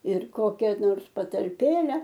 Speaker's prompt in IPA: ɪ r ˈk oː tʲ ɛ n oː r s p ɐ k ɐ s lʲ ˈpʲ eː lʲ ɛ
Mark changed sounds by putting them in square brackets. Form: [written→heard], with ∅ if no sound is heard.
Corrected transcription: ɪ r ˈk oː [tʲ→kʲ] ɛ n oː r s p ɐ [k→t] ɐ [s→∅] lʲ ˈpʲ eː lʲ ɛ